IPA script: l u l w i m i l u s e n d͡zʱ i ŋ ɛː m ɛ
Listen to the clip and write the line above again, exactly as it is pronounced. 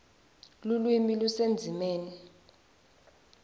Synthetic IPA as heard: l u l w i m i l u s e n d͡zʱ i m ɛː n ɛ